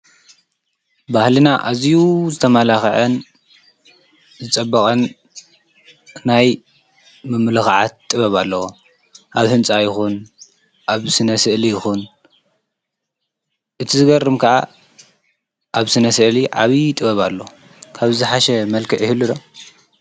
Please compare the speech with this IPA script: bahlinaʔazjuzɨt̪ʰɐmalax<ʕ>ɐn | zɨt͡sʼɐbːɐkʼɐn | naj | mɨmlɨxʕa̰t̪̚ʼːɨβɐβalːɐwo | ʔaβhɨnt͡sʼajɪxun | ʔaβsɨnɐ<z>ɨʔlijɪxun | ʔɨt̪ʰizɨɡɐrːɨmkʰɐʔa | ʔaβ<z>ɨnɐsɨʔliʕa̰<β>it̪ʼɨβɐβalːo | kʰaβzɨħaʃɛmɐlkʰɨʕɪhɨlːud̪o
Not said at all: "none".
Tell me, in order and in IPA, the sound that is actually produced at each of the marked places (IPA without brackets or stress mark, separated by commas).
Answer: ʕ, s, s, β